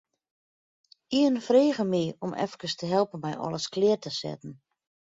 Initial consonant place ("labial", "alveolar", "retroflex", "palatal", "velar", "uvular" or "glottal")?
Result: alveolar